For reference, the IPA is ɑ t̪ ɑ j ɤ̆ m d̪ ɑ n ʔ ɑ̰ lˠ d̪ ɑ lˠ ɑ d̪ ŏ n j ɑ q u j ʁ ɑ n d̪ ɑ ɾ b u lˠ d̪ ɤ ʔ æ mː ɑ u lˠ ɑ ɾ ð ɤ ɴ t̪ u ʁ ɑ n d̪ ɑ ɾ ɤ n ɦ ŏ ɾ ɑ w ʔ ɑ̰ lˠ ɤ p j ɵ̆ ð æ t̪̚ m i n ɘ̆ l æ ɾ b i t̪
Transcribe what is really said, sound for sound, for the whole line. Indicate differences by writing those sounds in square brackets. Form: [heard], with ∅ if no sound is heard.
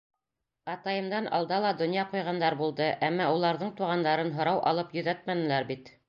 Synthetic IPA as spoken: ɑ t̪ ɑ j ɤ̆ m d̪ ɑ n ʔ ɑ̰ lˠ d̪ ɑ lˠ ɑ d̪ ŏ n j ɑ q u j ʁ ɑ n d̪ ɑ ɾ b u lˠ d̪ ɤ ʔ æ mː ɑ u lˠ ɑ ɾ ð ɤ ɴ t̪ u ʁ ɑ n d̪ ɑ ɾ ɤ n ɦ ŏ ɾ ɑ w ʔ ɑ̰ lˠ ɤ p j ɵ̆ ð æ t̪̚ m [æ] n ɘ̆ l æ ɾ b i t̪